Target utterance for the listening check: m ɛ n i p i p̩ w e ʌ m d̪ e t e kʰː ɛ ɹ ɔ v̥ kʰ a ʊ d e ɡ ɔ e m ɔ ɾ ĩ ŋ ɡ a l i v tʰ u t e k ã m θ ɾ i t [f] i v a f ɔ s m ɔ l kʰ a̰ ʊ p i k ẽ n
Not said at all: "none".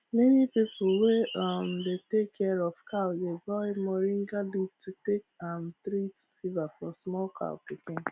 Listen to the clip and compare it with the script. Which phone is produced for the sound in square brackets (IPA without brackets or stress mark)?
f